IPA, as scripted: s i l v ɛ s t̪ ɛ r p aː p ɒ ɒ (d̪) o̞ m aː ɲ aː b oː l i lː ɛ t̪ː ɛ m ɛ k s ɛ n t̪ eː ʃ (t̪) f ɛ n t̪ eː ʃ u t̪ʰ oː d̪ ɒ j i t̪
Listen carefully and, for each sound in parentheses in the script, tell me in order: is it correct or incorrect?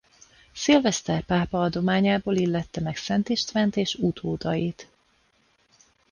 correct, correct

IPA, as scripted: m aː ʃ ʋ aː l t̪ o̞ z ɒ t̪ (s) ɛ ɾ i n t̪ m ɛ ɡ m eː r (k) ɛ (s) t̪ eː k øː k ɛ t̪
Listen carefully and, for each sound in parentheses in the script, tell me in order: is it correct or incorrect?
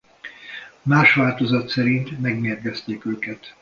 correct, incorrect, correct

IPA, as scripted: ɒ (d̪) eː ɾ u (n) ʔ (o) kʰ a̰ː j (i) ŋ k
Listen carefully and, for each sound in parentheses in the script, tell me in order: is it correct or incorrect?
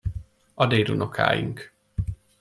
correct, correct, correct, correct

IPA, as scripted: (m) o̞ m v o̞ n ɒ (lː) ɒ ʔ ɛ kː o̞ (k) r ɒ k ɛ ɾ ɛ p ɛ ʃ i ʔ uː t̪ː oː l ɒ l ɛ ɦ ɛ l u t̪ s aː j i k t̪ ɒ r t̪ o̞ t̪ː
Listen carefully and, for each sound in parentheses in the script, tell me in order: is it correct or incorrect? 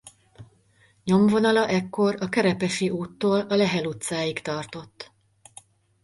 incorrect, incorrect, incorrect

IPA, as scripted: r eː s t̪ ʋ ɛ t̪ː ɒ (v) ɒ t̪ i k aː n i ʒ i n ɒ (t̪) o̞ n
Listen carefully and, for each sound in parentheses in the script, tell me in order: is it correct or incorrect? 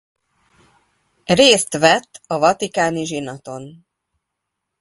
correct, correct

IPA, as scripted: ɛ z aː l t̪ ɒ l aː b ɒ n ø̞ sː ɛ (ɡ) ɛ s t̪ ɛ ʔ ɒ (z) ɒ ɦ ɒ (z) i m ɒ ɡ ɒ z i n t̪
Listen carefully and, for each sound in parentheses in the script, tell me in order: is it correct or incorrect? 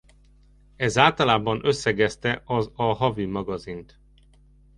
correct, correct, incorrect

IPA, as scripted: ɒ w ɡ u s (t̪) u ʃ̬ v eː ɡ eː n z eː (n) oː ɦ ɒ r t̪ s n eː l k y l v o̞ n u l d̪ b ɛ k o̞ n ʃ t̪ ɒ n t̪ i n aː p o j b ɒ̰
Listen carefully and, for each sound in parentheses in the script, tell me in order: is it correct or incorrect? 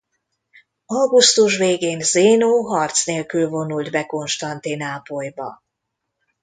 correct, correct

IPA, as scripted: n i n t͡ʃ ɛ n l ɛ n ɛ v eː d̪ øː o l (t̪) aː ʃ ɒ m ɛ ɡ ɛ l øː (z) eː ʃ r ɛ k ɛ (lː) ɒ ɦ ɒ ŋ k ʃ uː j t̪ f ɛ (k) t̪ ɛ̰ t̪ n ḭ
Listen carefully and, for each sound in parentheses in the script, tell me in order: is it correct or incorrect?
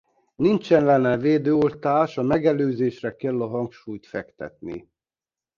correct, correct, correct, correct

